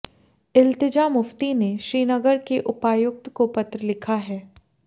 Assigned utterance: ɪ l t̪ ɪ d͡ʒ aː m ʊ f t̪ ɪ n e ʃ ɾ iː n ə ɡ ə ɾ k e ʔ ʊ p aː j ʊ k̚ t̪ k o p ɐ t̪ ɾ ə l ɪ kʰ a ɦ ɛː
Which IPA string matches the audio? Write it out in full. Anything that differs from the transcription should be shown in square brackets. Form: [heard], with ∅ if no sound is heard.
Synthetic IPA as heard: ɪ l t̪ ɪ d͡ʒ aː m ʊ f t̪ [i] n e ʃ ɾ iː n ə ɡ ə ɾ k e ʔ ʊ p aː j ʊ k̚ t̪ k o p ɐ t̪ ɾ ə l ɪ kʰ a ɦ ɛː